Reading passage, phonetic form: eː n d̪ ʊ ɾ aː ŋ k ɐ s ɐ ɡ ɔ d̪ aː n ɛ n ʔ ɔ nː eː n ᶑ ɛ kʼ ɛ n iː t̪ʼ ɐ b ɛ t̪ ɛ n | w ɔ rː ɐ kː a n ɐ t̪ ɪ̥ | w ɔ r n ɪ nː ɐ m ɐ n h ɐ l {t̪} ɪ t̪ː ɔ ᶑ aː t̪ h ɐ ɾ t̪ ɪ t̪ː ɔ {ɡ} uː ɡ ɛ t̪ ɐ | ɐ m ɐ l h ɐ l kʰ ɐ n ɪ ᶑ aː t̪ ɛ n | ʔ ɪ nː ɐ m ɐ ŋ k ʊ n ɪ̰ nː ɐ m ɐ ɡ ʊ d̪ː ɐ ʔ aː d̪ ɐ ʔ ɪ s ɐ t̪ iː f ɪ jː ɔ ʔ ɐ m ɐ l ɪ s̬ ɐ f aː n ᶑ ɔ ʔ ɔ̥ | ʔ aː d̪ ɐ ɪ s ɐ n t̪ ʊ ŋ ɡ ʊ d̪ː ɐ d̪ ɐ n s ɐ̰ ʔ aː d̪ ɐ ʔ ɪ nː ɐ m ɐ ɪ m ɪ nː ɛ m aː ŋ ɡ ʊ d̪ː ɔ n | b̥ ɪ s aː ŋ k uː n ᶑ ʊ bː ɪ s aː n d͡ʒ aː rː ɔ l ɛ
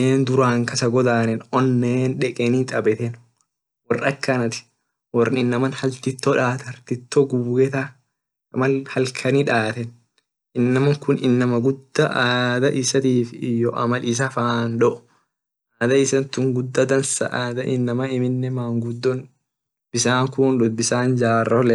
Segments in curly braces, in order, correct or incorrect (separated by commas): correct, correct